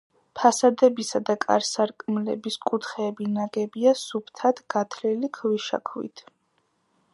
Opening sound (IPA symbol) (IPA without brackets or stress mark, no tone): pʰ